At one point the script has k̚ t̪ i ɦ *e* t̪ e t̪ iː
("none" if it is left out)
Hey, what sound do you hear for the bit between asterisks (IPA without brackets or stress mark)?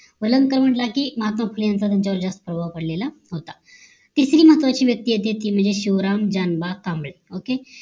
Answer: e